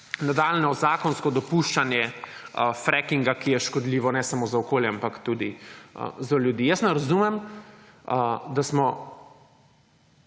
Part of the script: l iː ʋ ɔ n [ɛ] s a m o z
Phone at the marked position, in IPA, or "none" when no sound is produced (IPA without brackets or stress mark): ɛ